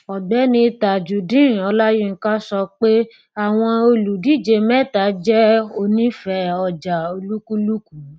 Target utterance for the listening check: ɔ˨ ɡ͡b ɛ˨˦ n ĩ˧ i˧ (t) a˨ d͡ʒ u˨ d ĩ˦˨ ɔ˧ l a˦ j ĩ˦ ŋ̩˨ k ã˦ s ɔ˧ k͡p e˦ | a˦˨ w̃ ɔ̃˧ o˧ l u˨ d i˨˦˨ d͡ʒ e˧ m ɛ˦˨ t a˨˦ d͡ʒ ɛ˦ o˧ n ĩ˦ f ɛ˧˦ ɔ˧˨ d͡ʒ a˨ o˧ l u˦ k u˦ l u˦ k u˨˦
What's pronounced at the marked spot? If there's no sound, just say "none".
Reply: t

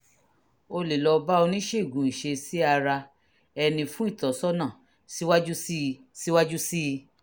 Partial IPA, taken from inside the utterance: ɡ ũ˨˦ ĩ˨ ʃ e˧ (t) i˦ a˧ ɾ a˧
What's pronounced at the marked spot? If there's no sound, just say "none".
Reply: s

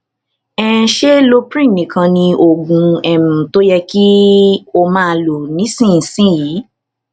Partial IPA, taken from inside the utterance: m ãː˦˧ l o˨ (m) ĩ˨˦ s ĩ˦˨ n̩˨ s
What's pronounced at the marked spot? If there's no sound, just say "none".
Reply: n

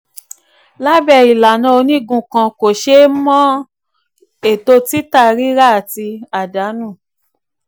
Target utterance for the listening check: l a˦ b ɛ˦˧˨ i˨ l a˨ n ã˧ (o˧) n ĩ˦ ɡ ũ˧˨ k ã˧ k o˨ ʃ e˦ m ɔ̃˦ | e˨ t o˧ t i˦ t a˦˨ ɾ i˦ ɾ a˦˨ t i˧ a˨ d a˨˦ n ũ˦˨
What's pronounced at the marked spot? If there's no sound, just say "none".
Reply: o˧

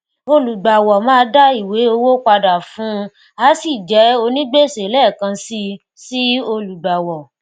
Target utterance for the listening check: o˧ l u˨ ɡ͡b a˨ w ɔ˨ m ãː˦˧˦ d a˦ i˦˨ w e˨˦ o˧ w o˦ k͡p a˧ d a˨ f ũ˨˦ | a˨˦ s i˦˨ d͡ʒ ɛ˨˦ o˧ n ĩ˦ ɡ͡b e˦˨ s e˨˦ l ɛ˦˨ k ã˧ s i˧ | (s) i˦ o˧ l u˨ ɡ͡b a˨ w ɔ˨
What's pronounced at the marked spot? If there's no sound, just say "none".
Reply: s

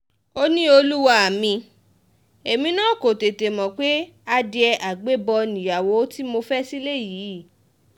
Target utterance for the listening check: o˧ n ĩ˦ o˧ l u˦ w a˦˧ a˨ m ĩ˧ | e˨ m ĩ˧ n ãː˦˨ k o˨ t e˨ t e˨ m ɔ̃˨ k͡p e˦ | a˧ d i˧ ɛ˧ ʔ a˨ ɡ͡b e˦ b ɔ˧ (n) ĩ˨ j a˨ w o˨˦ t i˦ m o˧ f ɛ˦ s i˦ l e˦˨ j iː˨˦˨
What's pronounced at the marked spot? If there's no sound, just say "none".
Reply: n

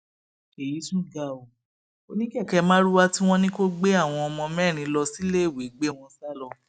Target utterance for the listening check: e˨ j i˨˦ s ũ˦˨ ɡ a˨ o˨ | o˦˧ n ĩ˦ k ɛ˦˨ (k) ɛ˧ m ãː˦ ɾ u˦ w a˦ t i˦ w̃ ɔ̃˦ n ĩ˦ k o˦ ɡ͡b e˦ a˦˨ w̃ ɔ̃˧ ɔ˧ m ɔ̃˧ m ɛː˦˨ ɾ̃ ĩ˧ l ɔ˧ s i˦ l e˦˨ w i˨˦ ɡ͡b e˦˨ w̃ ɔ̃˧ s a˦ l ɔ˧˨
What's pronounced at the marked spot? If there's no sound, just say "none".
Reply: k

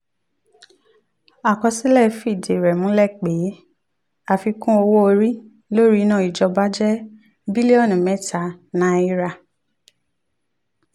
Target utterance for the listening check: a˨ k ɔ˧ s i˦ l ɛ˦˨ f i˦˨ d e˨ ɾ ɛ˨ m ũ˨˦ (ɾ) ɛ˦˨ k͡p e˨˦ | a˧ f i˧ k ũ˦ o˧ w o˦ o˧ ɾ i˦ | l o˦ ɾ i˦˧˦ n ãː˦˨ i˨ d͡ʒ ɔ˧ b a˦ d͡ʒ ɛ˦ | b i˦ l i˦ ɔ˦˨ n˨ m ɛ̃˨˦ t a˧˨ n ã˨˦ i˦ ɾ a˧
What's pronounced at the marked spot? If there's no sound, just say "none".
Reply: l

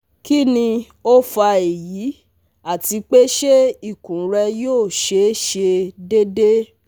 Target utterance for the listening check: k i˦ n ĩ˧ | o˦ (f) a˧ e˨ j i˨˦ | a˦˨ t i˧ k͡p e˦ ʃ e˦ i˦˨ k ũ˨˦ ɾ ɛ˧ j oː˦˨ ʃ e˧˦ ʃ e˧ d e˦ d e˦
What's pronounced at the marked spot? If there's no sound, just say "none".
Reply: f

